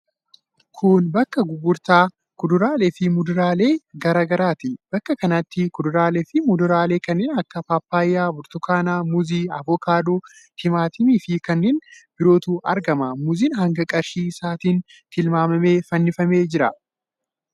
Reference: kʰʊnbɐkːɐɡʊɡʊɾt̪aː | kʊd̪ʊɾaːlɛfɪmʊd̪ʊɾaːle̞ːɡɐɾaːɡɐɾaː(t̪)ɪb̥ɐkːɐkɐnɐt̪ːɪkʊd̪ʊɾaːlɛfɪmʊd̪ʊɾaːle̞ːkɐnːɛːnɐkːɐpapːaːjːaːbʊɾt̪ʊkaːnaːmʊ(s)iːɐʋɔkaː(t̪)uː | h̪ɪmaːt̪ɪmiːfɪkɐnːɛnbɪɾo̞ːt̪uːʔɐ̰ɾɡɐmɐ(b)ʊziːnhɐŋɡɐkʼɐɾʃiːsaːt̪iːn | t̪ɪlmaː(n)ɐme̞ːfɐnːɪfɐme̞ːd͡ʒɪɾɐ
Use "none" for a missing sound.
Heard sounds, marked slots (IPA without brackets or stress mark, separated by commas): t̪, z, d̪, m, m